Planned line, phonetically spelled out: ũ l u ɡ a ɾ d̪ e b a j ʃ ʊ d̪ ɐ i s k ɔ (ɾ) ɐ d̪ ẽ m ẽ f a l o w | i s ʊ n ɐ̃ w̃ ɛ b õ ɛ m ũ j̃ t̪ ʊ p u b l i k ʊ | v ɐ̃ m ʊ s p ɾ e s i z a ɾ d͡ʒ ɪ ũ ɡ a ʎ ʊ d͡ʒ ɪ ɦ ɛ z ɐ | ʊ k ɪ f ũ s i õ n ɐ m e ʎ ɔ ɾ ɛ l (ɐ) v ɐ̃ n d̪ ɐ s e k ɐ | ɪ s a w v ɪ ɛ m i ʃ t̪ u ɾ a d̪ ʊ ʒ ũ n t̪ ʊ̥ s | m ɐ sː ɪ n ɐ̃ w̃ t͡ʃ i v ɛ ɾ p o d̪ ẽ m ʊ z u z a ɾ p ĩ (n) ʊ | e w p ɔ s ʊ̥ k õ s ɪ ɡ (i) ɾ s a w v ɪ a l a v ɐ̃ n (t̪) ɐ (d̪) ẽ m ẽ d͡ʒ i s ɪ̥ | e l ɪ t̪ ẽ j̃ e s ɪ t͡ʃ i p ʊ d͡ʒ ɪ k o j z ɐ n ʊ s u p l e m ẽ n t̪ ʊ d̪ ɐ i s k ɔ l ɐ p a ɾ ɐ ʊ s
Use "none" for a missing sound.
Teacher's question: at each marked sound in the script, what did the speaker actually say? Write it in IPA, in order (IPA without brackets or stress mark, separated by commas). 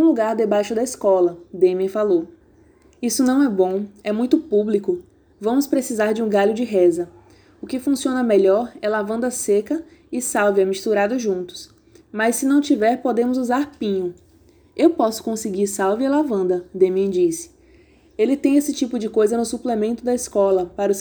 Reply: l, a, ɲ, i, d̪, d̪